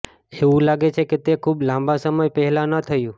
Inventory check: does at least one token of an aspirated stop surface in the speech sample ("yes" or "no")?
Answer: yes